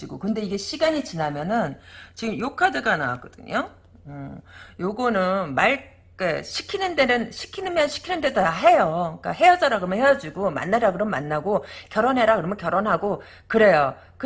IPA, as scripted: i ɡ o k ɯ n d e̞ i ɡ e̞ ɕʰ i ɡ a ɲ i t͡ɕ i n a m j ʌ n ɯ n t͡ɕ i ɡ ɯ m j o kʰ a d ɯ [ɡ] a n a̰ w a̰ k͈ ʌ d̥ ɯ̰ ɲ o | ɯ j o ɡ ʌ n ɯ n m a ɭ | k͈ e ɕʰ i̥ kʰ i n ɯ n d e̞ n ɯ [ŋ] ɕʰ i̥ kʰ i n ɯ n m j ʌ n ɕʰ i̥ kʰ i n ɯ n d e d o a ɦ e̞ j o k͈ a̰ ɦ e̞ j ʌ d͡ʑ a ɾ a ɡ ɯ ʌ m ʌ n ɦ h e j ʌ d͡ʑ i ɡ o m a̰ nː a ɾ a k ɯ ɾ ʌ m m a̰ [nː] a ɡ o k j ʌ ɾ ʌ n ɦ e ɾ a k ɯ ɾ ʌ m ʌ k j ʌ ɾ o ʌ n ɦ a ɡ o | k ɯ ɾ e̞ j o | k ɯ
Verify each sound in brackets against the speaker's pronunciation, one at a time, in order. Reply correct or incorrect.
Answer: correct, incorrect: n, correct

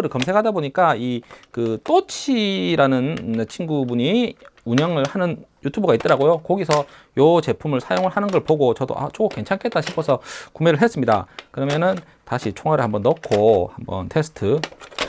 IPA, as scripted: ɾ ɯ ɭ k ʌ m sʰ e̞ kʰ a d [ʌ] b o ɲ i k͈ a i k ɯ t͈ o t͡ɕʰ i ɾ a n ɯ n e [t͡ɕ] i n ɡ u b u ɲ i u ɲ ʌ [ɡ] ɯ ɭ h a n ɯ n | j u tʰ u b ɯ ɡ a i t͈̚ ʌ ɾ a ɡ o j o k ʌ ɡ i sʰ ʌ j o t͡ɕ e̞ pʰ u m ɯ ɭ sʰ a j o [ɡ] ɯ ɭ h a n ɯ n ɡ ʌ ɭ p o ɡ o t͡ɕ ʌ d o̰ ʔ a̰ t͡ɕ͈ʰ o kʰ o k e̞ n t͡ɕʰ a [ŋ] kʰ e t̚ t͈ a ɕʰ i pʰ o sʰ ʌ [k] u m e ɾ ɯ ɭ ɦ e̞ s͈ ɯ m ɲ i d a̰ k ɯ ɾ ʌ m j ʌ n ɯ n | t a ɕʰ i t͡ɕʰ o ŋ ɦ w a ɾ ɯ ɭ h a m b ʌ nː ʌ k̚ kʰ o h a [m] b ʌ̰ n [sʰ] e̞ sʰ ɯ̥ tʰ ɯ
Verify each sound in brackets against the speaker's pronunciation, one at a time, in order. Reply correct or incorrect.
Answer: incorrect: a, incorrect: t͡ɕʰ, incorrect: ŋ, incorrect: ŋ, incorrect: n, correct, correct, incorrect: tʰ

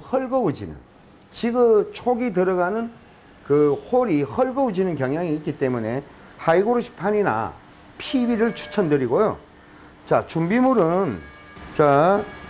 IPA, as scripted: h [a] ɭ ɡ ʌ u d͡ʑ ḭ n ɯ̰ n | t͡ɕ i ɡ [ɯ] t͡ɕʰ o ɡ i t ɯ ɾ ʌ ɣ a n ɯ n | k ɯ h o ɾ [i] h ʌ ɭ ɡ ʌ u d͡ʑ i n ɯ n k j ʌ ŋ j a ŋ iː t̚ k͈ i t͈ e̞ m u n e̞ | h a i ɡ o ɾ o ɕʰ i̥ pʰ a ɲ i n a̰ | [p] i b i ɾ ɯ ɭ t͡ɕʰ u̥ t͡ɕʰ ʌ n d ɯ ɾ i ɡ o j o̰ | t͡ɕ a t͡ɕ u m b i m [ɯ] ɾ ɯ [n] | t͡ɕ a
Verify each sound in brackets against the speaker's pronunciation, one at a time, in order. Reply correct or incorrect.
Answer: incorrect: ʌ, correct, correct, incorrect: pʰ, incorrect: u, correct

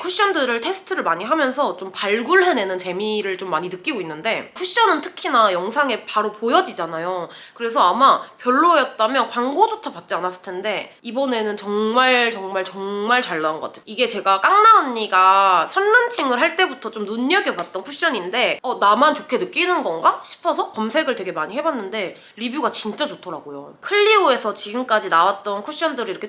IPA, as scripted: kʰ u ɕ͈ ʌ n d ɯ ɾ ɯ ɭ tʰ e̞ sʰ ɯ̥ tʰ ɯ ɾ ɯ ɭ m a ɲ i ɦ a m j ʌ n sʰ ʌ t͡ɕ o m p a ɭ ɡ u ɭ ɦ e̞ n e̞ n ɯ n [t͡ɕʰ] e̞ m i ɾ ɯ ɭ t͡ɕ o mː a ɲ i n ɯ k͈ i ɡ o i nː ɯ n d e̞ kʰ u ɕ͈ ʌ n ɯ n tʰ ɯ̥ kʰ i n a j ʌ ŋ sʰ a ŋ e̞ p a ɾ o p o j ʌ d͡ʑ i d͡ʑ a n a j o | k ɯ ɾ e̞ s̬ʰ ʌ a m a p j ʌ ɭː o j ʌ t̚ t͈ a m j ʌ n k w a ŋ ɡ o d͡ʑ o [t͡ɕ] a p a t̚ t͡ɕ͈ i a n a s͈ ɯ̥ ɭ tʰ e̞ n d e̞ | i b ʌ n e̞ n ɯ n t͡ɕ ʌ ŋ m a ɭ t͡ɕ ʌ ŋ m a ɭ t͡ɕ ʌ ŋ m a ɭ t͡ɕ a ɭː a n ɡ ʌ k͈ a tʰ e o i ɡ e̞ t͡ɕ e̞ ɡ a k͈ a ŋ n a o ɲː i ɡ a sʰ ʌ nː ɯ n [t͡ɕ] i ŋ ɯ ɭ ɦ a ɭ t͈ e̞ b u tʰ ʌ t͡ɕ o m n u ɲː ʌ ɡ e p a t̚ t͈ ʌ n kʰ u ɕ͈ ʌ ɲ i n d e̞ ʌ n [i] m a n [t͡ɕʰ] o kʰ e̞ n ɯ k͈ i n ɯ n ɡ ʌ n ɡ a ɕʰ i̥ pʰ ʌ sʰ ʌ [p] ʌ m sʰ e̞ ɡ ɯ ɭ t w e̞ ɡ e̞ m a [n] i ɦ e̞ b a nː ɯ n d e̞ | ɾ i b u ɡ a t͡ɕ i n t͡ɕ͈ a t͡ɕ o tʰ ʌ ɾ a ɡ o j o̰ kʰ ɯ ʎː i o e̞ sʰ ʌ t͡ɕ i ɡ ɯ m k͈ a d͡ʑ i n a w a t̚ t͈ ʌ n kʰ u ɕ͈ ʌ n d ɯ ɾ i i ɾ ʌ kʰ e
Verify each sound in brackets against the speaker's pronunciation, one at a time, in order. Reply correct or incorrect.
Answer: incorrect: t͡ɕ, incorrect: t͡ɕʰ, incorrect: t͡ɕʰ, incorrect: a, incorrect: t͡ɕ, incorrect: k, incorrect: ɲ

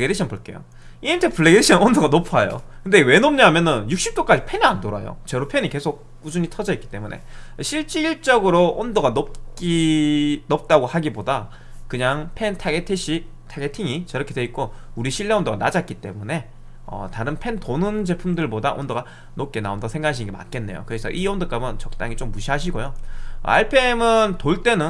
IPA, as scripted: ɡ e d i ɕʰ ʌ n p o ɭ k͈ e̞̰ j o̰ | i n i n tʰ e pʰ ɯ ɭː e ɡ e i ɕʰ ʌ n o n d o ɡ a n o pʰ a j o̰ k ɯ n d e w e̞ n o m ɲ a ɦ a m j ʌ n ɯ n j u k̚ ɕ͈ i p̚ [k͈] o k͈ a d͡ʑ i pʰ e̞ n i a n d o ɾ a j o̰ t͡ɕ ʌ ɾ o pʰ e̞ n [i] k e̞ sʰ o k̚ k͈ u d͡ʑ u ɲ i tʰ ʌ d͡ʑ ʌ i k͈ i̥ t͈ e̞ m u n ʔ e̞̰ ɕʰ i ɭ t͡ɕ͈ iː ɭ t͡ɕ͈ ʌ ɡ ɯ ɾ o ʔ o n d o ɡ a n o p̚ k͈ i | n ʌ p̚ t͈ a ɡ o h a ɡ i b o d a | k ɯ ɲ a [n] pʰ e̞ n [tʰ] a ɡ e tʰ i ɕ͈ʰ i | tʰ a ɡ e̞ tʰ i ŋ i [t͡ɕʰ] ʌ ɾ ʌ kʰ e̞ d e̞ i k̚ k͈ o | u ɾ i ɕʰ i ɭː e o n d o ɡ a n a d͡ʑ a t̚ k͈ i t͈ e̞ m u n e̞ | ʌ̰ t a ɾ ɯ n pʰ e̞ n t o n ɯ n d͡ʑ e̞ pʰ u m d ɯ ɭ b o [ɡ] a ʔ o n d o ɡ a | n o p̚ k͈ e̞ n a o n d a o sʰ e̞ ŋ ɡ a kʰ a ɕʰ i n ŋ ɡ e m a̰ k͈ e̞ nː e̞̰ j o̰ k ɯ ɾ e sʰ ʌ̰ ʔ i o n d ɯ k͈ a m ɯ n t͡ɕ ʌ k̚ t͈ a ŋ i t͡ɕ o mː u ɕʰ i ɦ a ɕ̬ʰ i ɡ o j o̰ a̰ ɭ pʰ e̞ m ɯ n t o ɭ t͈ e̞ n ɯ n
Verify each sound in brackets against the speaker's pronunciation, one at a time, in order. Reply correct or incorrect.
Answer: incorrect: t͈, correct, incorrect: ŋ, correct, incorrect: t͡ɕ, incorrect: d

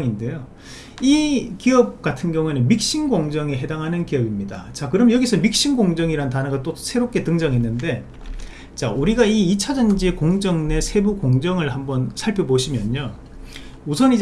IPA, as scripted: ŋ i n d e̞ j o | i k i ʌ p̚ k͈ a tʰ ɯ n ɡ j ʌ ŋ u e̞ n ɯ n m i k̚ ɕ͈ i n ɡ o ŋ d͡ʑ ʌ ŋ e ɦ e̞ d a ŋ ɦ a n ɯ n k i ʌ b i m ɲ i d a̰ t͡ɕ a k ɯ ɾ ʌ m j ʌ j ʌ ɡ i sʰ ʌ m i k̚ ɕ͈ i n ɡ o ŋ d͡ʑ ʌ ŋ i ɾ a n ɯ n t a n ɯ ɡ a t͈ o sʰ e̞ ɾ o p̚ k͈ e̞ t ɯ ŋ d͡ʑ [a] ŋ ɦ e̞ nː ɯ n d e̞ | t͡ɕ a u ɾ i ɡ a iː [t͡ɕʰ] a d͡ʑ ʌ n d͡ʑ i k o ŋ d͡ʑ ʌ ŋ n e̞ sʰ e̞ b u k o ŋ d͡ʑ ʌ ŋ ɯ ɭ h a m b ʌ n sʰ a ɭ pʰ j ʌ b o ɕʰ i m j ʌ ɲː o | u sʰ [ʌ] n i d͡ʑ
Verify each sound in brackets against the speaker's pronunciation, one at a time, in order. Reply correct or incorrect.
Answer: incorrect: ʌ, correct, correct

